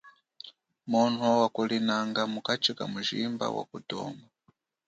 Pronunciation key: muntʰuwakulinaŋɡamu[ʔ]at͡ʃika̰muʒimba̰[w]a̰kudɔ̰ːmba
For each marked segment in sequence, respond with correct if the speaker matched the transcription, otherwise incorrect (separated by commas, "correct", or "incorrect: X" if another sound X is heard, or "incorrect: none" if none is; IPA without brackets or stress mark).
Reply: incorrect: k, correct